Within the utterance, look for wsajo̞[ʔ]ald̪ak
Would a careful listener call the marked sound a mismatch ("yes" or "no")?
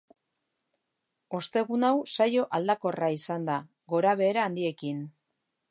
no